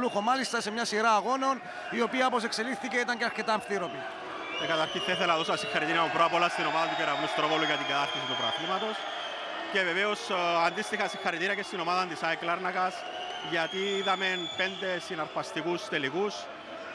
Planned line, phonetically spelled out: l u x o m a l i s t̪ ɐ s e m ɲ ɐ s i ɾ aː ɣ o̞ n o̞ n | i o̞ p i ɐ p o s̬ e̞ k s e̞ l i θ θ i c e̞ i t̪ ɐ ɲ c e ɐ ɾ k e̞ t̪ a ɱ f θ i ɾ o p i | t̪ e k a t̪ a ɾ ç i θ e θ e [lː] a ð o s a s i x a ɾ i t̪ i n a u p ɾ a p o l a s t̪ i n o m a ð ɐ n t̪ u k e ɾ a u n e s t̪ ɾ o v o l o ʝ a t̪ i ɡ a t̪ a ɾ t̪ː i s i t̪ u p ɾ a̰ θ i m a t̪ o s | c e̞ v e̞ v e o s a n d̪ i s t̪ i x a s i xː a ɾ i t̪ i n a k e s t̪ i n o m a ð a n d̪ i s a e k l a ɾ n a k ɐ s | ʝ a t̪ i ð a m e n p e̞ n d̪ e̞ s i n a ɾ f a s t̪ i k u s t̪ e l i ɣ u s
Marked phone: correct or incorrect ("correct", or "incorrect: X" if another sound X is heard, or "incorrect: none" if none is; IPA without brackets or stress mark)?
incorrect: l